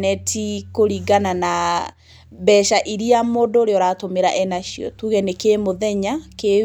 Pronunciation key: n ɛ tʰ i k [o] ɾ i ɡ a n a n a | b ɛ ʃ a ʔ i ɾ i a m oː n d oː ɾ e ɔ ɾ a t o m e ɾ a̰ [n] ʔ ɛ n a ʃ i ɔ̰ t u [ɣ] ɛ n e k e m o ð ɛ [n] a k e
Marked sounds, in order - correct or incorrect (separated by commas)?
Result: correct, incorrect, correct, incorrect